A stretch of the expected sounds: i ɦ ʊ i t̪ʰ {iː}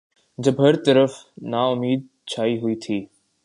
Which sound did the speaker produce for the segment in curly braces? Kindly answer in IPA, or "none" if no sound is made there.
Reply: iː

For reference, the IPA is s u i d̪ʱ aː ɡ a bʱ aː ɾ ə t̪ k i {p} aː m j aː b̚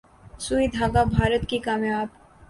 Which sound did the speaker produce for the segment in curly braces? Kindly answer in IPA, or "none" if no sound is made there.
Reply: k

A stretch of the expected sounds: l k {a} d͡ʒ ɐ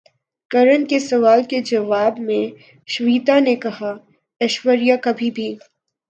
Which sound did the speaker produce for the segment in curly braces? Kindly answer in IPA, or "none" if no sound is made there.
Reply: e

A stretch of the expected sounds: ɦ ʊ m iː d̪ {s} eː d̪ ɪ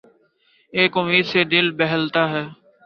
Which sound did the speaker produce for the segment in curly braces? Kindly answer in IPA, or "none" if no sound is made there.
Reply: s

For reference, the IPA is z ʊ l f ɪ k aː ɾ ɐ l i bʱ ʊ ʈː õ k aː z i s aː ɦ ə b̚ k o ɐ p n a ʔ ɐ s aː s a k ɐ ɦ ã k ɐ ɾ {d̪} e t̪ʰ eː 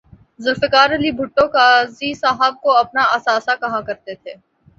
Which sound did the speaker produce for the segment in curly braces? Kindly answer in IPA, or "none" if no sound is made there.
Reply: t̪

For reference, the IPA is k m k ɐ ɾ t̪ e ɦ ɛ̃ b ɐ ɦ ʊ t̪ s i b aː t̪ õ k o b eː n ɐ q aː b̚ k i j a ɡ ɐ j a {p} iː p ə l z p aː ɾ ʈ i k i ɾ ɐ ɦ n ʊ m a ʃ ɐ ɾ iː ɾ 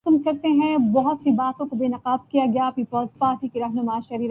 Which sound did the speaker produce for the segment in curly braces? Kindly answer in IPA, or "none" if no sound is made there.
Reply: p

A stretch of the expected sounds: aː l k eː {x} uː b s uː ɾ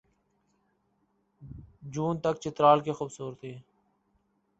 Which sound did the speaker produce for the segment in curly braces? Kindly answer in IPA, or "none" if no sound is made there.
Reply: x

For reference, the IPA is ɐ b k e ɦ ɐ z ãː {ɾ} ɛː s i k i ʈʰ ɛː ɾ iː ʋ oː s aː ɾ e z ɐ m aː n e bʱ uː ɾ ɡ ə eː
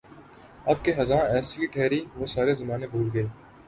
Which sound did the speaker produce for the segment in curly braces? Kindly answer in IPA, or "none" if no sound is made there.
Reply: none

